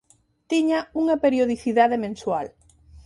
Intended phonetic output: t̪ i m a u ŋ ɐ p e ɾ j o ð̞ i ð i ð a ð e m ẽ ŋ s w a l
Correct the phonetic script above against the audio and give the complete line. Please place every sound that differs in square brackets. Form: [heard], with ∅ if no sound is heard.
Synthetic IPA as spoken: t̪ i [ɲ] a u ŋ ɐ p e ɾ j o ð̞ i [θ] i ð a ð e m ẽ [n] s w a l